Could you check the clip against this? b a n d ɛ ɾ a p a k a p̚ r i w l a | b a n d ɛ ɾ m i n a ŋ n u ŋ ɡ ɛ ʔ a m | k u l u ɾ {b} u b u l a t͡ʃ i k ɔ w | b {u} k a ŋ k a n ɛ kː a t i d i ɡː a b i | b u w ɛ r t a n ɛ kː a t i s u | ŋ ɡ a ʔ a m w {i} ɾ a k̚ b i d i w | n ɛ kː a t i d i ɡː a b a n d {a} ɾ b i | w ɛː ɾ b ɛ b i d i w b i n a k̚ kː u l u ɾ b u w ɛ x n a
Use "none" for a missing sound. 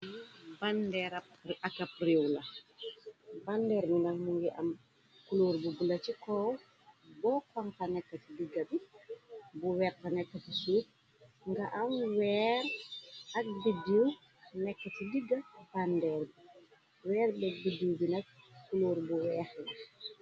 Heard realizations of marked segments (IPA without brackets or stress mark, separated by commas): b, ɔ, ɛ, ɛ